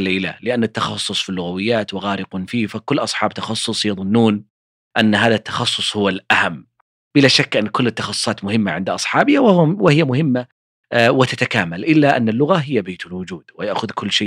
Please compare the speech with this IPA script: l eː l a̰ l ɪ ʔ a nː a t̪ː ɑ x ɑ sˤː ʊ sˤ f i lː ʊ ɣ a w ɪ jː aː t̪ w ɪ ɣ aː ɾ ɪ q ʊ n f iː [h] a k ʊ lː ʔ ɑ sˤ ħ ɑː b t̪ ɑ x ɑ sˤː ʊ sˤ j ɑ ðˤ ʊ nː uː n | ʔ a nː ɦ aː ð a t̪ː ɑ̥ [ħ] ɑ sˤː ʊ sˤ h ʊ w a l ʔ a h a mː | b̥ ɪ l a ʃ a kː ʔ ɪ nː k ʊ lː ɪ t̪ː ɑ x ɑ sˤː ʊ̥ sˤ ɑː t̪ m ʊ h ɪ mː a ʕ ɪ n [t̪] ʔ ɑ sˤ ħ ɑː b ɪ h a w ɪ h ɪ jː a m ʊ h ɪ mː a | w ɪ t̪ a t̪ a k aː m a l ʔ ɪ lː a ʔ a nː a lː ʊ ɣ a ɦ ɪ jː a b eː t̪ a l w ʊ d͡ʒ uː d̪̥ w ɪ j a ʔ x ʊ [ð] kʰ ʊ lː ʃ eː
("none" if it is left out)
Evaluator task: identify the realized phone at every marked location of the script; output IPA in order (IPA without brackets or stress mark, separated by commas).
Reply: f, x, d̪, ð